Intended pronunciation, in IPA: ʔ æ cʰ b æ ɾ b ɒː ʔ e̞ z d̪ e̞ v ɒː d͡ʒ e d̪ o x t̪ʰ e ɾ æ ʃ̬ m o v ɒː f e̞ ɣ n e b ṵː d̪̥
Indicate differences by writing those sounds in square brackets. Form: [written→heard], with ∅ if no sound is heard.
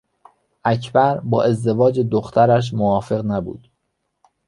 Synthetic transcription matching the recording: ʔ æ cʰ b æ ɾ b ɒː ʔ e̞ z d̪ e̞ v ɒː d͡ʒ e d̪ o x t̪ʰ [e→æ] ɾ æ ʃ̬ m o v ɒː f e̞ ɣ n [e→æ] b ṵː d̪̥